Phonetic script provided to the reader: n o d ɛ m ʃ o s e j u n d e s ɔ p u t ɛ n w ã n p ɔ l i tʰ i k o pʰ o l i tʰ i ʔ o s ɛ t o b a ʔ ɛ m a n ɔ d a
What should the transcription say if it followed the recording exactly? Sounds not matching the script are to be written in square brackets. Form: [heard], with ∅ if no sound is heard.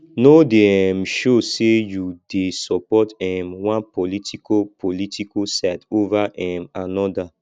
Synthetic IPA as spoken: n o d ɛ m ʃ o s e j u [∅] d e s ɔ p [ɔ] t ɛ [m] w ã n p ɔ l i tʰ i k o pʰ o l i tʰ i [k] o s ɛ t o [v] a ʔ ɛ m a n ɔ d a